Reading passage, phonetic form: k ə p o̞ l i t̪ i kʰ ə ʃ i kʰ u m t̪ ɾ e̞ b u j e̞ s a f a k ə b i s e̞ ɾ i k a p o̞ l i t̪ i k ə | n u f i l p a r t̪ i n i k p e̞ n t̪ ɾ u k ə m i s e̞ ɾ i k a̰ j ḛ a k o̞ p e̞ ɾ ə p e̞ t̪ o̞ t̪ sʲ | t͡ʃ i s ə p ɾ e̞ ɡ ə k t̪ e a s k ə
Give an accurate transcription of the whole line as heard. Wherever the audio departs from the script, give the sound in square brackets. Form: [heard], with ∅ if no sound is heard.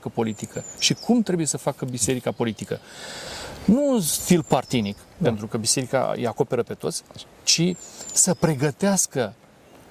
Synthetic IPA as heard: k ə p o̞ l i t̪ i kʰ ə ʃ i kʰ u m t̪ ɾ e̞ b u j e̞ s [ə] f a k ə b i s e̞ ɾ i k a p o̞ l i t̪ i k ə | n u f i l p a r t̪ i n i k p e̞ n t̪ ɾ u k ə [b] i s e̞ ɾ i k a̰ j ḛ a k o̞ p e̞ ɾ ə p e̞ t̪ o̞ t̪ sʲ | t͡ʃ i s ə p ɾ e̞ ɡ ə [∅] t̪ e a s k ə